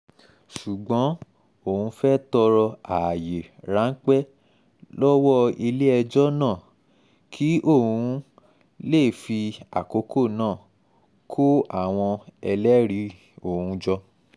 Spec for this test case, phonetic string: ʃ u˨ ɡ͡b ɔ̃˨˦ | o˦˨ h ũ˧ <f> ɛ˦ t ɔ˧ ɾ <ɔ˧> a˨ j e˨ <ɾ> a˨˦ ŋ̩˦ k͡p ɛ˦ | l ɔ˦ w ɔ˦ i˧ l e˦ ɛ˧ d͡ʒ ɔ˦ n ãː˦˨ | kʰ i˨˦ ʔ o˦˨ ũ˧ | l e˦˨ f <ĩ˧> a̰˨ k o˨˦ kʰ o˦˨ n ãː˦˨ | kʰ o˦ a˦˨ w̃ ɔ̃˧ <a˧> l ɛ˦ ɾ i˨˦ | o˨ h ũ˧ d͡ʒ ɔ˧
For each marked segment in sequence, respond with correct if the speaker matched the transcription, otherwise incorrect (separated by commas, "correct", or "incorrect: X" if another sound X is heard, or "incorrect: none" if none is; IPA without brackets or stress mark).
correct, correct, correct, incorrect: i˧, incorrect: ɛ˧